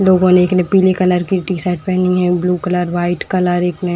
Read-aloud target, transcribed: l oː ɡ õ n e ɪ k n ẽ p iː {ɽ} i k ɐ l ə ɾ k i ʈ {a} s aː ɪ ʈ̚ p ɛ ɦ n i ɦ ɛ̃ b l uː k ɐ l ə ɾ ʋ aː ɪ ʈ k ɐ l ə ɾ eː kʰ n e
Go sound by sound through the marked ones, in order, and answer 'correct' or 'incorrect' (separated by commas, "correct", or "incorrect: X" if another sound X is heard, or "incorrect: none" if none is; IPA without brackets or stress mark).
incorrect: l, incorrect: i